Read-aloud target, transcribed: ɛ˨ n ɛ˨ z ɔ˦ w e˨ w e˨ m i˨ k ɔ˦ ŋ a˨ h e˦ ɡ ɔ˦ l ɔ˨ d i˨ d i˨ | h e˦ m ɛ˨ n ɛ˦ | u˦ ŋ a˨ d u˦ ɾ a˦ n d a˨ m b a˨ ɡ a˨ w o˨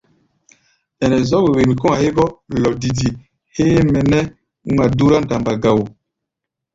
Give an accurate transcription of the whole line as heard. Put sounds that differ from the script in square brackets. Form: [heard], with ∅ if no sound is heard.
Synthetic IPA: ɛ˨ n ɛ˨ z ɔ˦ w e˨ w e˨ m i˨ k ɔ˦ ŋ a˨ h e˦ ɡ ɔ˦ l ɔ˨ d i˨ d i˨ | h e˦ m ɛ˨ n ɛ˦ | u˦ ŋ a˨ d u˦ ɾ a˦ n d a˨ m b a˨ ɡ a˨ w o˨

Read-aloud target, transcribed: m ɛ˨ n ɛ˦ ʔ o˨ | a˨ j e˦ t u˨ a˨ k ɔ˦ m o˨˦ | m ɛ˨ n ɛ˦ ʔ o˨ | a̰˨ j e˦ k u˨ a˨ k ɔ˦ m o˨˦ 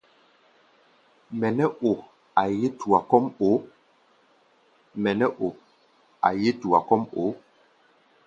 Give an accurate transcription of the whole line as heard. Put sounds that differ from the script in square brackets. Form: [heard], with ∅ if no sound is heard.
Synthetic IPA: m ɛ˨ n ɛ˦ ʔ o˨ | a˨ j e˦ t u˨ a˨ k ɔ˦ m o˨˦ | m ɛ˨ n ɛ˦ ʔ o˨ | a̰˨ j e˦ [t] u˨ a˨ k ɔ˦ m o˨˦

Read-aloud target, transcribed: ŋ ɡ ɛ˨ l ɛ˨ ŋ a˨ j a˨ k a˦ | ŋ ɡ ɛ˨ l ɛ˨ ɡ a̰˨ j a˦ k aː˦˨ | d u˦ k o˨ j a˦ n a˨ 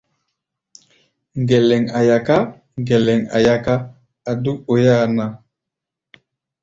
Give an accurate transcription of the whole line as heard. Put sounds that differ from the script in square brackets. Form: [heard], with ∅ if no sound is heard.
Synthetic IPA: ŋ ɡ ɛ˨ l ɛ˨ ŋ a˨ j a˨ k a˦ | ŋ ɡ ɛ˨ l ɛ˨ [ŋ] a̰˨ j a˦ k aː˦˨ | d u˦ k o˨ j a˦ n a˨

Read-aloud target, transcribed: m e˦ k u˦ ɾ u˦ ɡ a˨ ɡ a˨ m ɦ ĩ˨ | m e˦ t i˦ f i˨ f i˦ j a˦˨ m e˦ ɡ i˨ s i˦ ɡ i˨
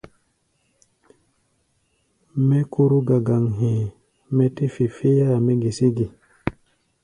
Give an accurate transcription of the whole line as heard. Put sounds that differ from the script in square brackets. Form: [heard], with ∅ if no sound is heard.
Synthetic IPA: m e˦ k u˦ ɾ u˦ ɡ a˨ ɡ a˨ [ŋ] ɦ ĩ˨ | m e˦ t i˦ f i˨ f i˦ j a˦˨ m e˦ ɡ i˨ s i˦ ɡ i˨

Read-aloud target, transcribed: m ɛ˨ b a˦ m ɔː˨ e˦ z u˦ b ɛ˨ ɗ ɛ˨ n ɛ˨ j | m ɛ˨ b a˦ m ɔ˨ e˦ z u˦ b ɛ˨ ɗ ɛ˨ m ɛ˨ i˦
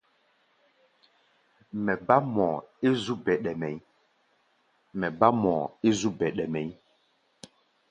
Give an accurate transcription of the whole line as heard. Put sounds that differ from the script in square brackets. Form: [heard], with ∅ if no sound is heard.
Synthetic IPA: m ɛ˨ b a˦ m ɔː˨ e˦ z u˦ b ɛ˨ ɗ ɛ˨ [m] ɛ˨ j | m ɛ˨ b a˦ m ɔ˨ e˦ z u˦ b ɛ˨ ɗ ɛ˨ m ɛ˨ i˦

